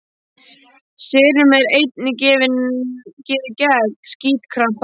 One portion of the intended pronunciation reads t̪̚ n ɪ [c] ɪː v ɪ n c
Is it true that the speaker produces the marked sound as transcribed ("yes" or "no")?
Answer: yes